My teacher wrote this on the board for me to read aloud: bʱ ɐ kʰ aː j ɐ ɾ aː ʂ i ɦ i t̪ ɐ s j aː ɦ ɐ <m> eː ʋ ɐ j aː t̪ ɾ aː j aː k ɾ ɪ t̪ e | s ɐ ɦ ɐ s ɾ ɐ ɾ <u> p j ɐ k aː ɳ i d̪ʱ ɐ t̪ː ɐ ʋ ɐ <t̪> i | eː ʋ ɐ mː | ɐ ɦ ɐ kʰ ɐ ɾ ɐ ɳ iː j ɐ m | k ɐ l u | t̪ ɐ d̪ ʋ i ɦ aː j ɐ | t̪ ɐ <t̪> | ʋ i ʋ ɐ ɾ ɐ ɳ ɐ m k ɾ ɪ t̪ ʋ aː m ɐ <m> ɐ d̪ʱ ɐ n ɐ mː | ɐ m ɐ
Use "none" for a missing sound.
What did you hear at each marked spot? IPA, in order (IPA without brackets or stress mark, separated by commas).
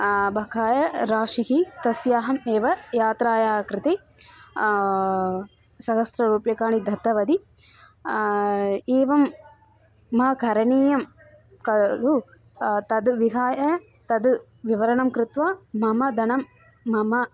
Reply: m, uː, d̪, d̪, m